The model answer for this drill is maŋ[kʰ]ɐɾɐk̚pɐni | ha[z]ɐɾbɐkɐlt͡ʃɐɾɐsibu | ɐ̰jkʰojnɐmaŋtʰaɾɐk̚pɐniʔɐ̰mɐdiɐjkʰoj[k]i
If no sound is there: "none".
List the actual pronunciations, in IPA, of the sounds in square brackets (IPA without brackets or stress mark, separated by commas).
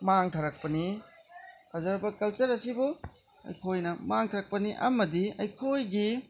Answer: tʰ, z, ɡ